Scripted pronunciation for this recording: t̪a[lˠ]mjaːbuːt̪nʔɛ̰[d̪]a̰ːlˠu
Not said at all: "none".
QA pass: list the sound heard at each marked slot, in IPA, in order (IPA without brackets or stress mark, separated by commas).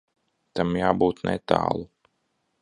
none, t̪